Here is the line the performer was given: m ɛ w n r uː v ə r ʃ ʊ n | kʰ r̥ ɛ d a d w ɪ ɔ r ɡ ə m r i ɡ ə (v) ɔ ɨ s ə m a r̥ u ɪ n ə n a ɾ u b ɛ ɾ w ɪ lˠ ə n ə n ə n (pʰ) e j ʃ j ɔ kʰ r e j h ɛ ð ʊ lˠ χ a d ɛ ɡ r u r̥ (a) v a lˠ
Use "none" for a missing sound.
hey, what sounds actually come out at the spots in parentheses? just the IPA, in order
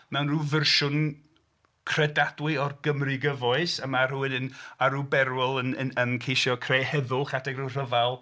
v, kʰ, ə

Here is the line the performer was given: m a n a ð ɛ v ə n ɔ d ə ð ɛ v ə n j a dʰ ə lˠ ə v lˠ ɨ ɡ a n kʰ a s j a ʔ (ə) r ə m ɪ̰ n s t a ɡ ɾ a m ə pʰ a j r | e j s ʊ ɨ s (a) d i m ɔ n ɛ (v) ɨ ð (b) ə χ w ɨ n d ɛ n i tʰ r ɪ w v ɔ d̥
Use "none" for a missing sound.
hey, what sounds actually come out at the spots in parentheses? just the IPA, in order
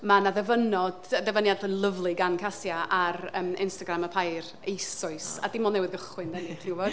a, a, w, ɡ

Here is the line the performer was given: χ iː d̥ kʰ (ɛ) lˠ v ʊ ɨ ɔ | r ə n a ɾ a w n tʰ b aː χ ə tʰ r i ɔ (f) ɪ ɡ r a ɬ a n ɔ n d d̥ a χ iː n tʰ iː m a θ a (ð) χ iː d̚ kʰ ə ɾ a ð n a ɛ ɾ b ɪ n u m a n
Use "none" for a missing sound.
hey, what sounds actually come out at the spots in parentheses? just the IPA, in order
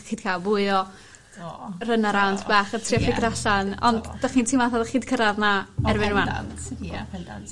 a, f, ð

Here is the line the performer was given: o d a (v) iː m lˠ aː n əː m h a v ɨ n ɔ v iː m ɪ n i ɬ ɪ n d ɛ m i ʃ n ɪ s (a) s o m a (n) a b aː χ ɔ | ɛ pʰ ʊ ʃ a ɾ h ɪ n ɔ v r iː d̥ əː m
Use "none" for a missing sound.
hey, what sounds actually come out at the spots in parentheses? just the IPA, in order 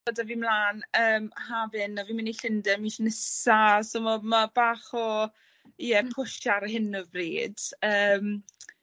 v, a, m

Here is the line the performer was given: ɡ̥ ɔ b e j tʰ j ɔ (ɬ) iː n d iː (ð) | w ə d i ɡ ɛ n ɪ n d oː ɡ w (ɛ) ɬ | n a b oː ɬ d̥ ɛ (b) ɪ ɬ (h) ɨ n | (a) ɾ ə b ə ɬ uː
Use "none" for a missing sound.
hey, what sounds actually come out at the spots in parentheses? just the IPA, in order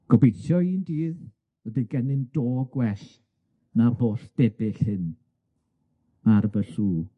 none, ð, ɛ, b, h, a

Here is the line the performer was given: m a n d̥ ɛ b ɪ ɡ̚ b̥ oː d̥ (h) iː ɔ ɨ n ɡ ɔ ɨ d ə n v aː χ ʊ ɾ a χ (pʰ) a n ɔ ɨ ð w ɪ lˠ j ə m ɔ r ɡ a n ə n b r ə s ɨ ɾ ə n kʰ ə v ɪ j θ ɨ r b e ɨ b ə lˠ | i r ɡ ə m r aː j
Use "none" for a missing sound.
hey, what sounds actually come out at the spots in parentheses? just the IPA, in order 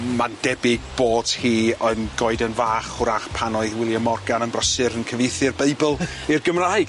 h, pʰ

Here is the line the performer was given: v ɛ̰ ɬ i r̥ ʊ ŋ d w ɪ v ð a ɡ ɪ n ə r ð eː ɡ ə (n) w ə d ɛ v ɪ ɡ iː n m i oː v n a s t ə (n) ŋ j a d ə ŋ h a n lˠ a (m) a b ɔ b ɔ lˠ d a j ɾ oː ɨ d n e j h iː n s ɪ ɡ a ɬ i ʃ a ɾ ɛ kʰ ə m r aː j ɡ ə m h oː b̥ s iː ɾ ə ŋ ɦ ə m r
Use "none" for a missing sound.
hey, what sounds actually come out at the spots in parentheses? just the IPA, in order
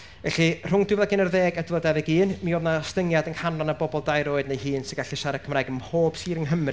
d, none, n

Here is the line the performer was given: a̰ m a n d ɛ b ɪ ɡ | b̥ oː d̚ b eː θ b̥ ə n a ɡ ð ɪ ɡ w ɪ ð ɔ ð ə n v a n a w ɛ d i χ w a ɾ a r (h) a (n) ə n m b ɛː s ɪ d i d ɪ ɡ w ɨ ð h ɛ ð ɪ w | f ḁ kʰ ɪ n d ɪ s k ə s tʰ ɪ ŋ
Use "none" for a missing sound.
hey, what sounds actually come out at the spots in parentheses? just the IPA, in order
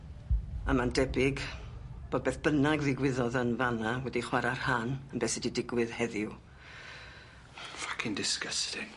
h, n

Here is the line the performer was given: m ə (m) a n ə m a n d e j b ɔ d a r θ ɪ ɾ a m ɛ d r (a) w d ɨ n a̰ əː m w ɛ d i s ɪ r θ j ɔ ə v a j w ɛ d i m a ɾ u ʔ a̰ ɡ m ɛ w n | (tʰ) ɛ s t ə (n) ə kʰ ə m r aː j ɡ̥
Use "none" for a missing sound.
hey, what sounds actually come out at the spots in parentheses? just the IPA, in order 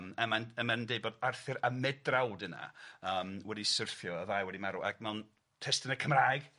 m, a, tʰ, n

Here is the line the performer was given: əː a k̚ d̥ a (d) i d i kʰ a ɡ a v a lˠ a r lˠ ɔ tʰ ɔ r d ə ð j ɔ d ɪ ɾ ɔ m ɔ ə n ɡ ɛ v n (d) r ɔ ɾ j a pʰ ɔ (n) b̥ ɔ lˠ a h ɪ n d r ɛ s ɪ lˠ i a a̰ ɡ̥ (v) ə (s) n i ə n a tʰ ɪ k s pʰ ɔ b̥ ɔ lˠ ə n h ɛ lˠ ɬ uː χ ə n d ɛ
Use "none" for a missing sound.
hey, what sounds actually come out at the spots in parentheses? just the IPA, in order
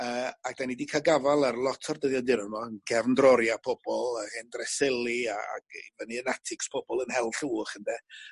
n, d, none, v, none

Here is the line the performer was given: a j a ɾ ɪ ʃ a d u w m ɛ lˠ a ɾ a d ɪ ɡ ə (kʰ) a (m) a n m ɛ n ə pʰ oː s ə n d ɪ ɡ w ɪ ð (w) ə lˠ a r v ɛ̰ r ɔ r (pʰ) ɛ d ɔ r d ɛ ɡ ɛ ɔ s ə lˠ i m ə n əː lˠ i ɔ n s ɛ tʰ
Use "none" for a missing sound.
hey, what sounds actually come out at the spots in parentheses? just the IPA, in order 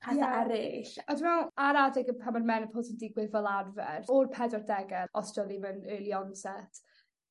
pʰ, m, v, pʰ

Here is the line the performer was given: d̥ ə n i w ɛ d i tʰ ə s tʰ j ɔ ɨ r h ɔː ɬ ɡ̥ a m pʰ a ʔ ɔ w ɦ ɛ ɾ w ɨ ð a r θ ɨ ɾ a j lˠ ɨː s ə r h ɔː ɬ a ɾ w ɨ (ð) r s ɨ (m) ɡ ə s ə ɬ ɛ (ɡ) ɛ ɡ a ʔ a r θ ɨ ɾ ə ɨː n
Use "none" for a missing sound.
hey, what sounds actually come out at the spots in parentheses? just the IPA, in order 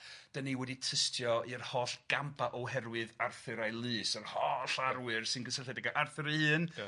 none, n, d

